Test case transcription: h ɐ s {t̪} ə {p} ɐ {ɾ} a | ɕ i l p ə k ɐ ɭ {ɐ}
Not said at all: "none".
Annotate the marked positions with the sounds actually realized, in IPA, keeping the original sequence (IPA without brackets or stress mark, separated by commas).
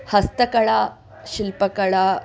t̪, k, ɭ, a